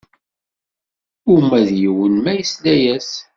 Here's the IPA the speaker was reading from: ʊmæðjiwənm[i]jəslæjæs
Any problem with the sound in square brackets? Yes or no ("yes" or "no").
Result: yes